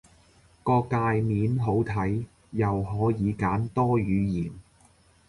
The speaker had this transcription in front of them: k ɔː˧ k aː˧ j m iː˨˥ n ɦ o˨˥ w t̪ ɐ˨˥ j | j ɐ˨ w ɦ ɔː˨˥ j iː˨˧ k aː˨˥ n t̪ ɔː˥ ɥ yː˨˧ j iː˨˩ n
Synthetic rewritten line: k ɔː˧ k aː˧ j m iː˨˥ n ɦ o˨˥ w t̪ʰ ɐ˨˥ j | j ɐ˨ w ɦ ɔː˨˥ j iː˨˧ k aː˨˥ n t̪ ɔː˥ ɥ yː˨˧ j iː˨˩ n